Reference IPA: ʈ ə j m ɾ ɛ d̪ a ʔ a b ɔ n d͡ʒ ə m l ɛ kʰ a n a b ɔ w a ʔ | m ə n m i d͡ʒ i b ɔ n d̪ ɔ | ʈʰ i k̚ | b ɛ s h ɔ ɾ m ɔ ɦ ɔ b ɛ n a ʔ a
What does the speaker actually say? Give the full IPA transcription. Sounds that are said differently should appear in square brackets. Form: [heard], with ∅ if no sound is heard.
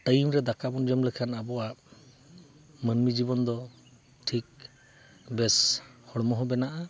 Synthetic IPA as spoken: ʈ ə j m ɾ ɛ d̪ a [k] a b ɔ n d͡ʒ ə m l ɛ kʰ a n a b ɔ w a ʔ | m ə n m i d͡ʒ i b ɔ n d̪ ɔ | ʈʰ i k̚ | b ɛ s h ɔ [ɽ] m ɔ ɦ ɔ b ɛ n a ʔ a